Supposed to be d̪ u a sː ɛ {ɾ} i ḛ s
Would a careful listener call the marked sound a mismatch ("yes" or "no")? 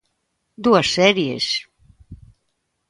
no